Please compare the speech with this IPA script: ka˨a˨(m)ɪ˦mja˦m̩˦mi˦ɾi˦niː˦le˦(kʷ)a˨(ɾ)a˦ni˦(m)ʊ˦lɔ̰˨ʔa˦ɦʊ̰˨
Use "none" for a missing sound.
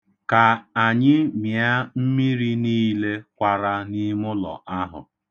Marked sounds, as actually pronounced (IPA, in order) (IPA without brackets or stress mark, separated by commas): ɲ, kʷ, ɾ, m